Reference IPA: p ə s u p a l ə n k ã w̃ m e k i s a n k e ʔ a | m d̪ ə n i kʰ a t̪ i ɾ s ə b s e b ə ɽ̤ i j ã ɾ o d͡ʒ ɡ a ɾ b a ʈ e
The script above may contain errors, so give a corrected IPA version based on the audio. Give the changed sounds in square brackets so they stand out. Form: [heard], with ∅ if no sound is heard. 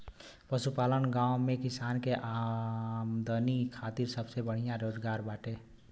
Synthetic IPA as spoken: p ə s u p a l ə n [ɡ] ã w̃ m e k i s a n k e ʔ a | m d̪ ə n i kʰ a t̪ i ɾ s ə b s e b ə ɽ̤ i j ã ɾ o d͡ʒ ɡ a ɾ b a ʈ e